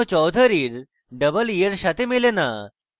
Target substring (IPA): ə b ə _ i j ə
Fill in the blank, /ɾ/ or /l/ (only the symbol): l